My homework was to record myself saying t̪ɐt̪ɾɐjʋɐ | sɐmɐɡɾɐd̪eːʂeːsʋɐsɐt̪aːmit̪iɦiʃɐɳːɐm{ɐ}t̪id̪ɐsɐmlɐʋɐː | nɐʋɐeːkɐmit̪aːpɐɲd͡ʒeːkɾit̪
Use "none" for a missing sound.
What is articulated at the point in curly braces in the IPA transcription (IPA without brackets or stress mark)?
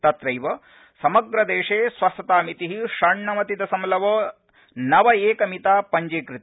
ɐ